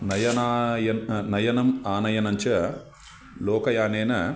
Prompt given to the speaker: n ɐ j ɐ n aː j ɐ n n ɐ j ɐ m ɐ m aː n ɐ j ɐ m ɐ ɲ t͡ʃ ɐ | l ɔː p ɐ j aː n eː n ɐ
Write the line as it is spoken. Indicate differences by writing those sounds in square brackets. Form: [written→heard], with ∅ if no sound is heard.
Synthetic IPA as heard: n ɐ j ɐ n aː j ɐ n n ɐ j ɐ [m→n] ɐ m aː n ɐ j ɐ [m→n] ɐ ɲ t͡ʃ ɐ | l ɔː [p→k] ɐ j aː n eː n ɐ